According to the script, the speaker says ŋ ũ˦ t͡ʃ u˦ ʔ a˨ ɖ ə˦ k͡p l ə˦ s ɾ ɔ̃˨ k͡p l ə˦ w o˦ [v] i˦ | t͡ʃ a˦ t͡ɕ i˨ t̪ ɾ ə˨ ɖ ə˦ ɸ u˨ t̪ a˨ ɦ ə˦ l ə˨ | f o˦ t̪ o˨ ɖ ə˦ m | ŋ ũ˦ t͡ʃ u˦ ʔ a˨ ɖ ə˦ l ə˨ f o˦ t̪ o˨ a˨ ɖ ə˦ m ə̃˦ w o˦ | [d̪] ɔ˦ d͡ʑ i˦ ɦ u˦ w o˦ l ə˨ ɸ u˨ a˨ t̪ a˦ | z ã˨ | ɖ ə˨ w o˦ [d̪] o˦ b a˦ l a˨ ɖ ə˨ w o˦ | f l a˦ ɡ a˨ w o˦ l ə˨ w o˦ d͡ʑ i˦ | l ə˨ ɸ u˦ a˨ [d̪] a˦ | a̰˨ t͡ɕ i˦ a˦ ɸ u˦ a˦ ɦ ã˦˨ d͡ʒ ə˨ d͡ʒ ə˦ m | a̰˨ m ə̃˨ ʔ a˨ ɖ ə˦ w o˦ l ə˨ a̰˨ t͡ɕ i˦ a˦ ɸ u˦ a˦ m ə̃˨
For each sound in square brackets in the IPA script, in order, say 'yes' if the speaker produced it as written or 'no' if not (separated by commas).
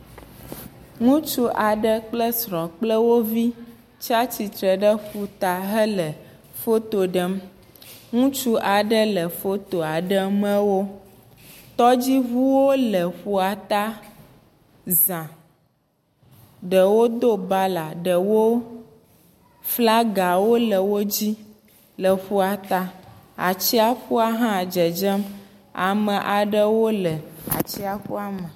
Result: yes, no, yes, no